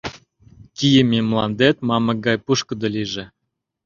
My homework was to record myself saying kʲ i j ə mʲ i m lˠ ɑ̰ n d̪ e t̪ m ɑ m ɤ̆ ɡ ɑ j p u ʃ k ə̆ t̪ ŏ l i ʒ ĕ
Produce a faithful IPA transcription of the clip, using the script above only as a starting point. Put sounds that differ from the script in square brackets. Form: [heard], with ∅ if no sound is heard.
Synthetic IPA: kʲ i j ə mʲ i m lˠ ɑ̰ n d̪ e t̪ m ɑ m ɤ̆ ɡ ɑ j p u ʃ k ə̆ [d̪] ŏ l i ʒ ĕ